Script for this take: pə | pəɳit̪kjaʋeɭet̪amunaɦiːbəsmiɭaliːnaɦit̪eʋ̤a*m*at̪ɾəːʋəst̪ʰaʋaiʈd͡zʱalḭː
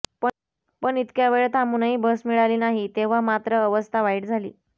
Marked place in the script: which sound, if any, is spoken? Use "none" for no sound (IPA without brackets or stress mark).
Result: m